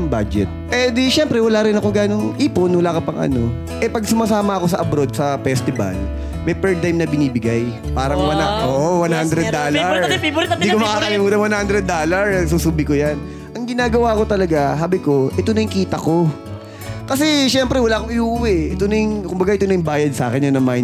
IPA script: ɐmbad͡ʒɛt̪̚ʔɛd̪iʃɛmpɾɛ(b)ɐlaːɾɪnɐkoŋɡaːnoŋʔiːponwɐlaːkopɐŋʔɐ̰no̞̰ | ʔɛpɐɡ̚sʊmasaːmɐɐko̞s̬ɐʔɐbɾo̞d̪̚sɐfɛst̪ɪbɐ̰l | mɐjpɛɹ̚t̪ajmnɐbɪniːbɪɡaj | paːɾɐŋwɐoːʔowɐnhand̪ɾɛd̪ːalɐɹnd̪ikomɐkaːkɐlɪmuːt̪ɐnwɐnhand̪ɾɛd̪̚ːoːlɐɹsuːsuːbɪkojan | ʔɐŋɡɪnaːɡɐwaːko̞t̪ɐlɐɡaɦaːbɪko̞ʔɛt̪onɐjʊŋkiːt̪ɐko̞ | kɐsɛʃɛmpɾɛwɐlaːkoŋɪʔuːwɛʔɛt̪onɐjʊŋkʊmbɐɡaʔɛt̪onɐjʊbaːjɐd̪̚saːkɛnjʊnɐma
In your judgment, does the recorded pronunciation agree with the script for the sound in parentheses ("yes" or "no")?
no